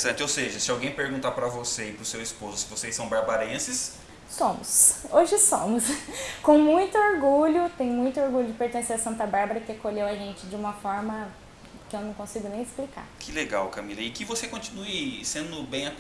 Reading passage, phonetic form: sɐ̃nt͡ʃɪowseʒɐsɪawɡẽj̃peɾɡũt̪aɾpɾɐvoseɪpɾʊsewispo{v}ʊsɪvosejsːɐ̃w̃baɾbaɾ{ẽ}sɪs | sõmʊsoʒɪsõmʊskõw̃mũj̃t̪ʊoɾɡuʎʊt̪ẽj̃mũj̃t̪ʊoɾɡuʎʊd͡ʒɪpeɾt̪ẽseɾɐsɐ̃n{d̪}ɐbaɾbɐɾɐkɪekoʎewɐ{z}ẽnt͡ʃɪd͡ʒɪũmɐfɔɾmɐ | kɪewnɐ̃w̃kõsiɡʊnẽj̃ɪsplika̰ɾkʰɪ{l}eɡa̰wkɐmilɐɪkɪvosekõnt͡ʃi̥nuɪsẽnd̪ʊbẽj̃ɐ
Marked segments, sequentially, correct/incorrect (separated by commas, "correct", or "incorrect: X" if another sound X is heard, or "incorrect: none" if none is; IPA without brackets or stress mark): incorrect: z, correct, incorrect: t̪, incorrect: ʒ, correct